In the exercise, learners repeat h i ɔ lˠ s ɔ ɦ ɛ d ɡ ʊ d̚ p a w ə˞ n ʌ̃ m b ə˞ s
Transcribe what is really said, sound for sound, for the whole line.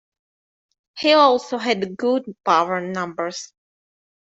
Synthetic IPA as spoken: h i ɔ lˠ s o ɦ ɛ d ɡ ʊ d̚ p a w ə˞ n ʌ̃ m b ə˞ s